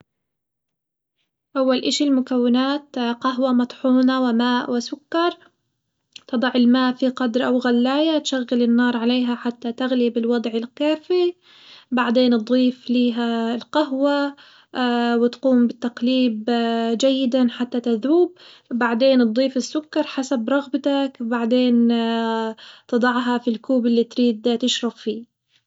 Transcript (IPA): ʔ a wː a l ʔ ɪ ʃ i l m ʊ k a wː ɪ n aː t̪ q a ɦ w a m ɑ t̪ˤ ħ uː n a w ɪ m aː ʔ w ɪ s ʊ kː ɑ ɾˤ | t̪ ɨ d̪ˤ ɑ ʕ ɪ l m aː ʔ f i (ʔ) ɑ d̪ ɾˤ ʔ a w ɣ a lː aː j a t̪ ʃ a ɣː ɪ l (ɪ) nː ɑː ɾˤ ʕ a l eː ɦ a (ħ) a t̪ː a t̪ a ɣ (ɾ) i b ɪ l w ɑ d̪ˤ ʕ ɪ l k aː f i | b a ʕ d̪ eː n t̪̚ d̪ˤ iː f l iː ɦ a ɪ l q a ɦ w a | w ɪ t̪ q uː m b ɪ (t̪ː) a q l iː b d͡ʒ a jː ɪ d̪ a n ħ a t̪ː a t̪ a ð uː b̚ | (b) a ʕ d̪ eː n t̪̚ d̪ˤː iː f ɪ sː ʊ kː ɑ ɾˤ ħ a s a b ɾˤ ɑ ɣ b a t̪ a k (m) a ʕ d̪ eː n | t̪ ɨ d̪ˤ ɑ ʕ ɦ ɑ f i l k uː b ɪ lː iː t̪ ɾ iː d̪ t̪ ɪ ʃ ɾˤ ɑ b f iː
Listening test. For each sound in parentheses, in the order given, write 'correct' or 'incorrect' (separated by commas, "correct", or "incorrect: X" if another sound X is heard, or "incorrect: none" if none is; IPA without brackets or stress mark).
incorrect: q, correct, correct, incorrect: l, correct, correct, incorrect: b